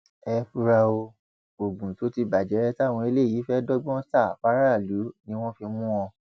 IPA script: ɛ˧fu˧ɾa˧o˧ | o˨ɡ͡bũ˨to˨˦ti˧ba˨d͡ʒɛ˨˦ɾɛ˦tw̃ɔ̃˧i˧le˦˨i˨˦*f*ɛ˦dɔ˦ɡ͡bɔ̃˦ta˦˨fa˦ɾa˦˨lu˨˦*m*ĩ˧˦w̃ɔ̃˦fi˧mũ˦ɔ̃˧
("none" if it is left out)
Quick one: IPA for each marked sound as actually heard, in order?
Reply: f, n

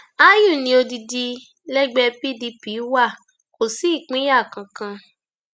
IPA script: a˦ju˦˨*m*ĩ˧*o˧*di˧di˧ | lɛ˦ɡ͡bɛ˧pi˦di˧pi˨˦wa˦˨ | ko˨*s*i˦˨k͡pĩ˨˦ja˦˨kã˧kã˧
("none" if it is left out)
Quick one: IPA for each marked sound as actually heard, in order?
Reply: n, o˧, s

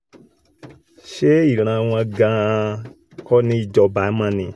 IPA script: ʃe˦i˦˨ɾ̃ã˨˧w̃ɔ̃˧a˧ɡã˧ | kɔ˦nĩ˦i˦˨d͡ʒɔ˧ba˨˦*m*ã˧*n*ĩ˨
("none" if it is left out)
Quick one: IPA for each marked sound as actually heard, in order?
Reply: m, n

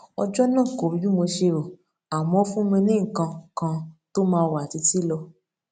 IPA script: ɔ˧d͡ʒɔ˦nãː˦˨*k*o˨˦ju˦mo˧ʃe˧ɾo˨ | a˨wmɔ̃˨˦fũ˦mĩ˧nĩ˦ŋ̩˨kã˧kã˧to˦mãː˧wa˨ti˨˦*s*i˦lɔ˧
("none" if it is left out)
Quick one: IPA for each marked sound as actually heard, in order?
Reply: k, t

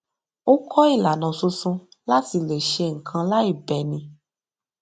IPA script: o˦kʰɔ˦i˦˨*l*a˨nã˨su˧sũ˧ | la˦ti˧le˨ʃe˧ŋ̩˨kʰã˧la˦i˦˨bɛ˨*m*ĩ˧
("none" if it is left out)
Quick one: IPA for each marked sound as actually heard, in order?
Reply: l, n

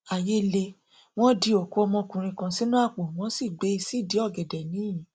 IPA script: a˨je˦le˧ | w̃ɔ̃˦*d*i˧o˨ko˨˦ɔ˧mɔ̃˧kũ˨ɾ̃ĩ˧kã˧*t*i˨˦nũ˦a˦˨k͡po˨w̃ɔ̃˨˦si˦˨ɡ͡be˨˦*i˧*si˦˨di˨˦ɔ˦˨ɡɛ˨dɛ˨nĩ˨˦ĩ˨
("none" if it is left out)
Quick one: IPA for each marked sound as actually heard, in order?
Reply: d, s, i˧

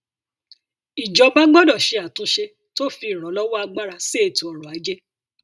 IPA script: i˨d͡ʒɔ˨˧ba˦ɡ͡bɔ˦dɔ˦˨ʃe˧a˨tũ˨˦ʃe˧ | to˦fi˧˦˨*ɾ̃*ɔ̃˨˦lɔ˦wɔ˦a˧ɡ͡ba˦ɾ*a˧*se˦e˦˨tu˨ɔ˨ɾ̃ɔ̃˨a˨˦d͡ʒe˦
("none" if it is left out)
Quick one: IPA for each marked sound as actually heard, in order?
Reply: ɾ̃, a˧

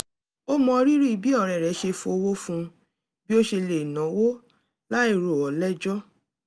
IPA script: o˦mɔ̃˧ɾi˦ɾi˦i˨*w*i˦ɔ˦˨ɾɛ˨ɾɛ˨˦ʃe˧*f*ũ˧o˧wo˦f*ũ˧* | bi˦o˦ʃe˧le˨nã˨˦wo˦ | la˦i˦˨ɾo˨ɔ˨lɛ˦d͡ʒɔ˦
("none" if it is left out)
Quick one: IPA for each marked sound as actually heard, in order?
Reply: b, f, ũ˧

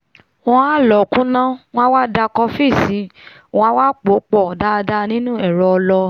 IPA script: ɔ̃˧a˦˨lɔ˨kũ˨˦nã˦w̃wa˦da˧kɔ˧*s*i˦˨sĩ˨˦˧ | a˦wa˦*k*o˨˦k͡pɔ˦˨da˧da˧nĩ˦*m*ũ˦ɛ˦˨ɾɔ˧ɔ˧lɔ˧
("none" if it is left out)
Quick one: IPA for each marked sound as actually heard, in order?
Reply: f, k͡p, n

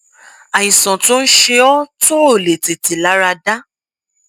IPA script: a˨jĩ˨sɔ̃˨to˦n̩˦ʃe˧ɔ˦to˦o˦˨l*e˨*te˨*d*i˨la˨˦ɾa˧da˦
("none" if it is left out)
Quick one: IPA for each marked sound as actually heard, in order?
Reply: e˨, t

